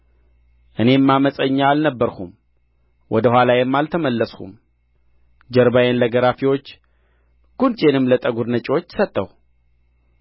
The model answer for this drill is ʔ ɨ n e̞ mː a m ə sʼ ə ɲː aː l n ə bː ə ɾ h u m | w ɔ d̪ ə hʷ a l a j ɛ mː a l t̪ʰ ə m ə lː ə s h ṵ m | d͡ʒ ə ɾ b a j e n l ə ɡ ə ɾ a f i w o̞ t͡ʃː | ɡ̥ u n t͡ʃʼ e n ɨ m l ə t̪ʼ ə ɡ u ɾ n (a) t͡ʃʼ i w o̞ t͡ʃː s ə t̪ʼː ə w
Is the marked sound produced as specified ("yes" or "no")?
no